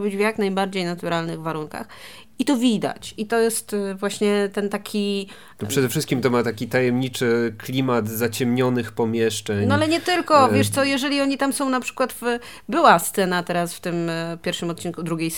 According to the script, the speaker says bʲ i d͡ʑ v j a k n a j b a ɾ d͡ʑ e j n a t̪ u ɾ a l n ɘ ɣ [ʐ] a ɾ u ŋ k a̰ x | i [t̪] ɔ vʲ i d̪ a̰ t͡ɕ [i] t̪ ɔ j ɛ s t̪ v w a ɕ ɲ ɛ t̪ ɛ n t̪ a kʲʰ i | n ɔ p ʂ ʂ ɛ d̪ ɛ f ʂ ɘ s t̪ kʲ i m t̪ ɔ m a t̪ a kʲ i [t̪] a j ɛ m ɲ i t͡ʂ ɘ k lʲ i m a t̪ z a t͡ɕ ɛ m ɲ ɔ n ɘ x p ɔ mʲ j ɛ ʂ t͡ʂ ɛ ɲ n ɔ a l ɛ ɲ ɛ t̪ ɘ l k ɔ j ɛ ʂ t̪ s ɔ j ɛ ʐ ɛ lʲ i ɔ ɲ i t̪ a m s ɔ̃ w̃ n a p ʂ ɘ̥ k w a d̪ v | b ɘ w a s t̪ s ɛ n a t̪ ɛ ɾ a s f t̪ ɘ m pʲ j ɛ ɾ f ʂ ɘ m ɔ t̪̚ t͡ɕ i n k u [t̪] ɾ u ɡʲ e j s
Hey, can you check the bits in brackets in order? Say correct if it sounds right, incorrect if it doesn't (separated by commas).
incorrect, correct, correct, correct, incorrect